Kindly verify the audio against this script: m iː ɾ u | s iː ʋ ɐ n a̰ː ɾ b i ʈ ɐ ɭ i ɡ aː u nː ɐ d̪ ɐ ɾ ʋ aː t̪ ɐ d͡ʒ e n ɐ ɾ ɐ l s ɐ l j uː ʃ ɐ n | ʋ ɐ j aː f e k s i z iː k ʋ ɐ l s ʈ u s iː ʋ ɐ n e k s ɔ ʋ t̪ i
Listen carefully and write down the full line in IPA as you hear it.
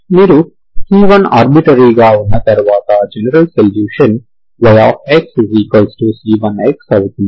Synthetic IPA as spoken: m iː ɾ u | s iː ʋ ɐ n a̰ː ɾ b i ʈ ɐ ɾ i ɡ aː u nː ɐ t̪ ɐ ɾ ʋ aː t̪ ɐ d͡ʒ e n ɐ ɾ ɐ l s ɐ l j uː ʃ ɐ n | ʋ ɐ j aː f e k s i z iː k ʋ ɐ l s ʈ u s iː ʋ ɐ n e k s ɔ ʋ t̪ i